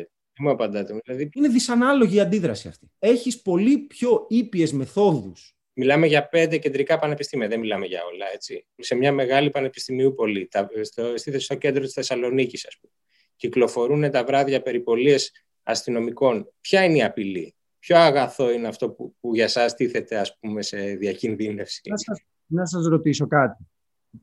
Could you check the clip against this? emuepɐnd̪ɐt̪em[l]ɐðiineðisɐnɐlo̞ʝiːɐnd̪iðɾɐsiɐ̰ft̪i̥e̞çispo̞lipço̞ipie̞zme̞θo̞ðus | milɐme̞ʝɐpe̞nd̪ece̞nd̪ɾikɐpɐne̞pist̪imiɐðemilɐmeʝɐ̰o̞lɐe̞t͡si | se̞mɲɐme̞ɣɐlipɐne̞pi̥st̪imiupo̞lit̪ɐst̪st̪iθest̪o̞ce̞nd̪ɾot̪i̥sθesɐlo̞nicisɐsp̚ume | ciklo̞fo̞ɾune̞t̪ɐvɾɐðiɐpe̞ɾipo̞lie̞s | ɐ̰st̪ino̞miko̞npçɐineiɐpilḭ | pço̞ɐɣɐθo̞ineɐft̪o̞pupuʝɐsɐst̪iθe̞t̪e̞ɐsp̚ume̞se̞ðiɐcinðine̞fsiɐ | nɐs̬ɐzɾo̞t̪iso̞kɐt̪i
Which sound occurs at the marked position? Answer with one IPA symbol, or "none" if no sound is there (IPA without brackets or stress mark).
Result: l